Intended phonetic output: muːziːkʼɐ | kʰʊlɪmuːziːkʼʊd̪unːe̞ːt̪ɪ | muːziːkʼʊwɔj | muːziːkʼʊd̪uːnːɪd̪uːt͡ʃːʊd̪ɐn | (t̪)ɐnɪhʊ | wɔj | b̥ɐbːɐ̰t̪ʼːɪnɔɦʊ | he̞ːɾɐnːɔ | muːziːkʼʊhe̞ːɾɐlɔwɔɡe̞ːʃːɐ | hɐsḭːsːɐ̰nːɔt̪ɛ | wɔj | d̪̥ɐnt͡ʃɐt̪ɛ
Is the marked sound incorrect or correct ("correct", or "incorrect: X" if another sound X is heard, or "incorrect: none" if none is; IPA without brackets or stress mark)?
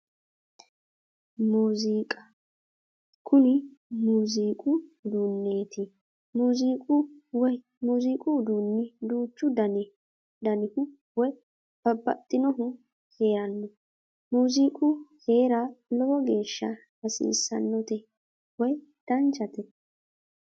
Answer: incorrect: d̪